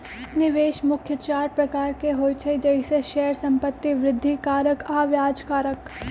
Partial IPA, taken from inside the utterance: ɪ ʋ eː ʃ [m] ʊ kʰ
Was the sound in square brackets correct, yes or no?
yes